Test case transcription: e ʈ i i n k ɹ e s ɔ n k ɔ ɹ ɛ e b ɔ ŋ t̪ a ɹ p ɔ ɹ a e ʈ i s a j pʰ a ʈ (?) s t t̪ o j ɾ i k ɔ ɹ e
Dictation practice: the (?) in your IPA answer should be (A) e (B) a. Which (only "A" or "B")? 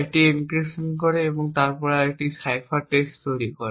A